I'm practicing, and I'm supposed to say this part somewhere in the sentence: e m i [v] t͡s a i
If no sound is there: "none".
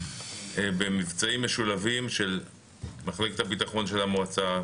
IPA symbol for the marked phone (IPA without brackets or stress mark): v